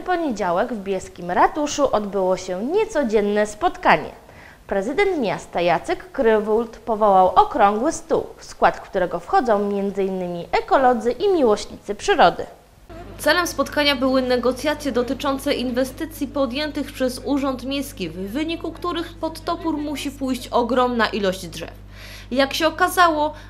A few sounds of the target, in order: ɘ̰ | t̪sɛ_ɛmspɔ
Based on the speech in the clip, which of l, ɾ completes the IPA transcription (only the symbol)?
l